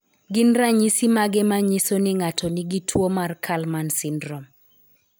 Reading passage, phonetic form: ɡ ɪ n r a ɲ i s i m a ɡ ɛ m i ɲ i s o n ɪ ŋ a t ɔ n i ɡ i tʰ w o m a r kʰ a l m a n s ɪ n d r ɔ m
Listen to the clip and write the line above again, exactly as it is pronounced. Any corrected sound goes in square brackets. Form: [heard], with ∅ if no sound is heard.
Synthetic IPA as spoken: ɡ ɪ n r a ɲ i s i m a ɡ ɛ m [a] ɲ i s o n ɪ ŋ a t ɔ n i ɡ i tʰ w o m a r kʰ a l m a n s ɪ n d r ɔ m